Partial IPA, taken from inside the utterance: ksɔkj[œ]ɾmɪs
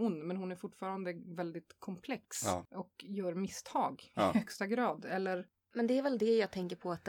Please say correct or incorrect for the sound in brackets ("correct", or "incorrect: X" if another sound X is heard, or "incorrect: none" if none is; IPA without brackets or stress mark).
incorrect: œː